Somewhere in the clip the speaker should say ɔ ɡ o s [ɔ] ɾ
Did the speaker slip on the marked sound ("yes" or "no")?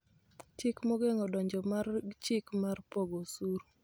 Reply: yes